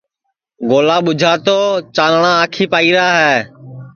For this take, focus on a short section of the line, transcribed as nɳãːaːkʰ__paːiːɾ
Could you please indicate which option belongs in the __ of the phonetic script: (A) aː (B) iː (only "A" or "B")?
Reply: B